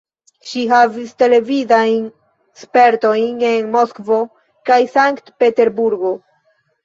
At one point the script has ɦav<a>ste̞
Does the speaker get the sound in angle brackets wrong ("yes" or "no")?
yes